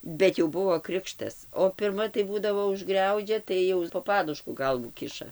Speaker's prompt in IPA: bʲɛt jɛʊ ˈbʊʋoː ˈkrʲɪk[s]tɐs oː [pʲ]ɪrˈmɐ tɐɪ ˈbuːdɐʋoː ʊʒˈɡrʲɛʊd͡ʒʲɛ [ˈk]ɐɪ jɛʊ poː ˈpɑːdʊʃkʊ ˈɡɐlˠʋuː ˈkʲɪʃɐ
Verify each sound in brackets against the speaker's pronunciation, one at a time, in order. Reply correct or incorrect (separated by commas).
incorrect, correct, incorrect